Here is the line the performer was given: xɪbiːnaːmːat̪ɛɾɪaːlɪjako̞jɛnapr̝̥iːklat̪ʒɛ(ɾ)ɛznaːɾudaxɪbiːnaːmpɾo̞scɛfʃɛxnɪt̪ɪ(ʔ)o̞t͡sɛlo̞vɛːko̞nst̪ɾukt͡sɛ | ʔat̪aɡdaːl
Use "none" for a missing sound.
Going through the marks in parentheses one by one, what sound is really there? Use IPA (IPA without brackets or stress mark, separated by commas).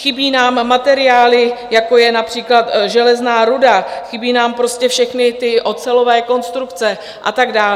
l, ʔ